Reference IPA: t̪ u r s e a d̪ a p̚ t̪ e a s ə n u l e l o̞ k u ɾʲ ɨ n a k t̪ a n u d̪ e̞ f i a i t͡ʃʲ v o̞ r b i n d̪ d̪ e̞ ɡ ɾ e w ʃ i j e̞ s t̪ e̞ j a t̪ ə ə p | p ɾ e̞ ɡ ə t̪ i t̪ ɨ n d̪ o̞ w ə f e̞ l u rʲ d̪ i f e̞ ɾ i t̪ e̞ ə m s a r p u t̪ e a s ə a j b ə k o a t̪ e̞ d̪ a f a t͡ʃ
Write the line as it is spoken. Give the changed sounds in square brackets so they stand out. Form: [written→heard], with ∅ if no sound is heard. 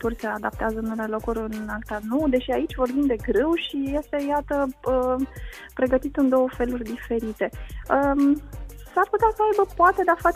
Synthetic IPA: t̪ u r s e a d̪ a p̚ t̪ e a [s→z] ə n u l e l o̞ k u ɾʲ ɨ n a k t̪ a n u d̪ e̞ [f→ʃ] i a i t͡ʃʲ v o̞ r b i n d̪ d̪ e̞ ɡ ɾ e w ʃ i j e̞ s t̪ e̞ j a t̪ ə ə [p→∅] | p ɾ e̞ ɡ ə t̪ i t̪ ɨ n d̪ o̞ w ə f e̞ l u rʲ d̪ i f e̞ ɾ i t̪ e̞ ə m s a r p u t̪ e a s ə a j b ə [k→p] o a t̪ e̞ d̪ a f a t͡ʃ